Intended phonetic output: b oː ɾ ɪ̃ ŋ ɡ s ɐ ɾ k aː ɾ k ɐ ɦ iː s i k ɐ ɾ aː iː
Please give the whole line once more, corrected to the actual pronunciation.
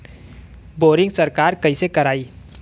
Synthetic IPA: b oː ɾ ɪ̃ ŋ ɡ s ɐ ɾ k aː ɾ k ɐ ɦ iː s e k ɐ ɾ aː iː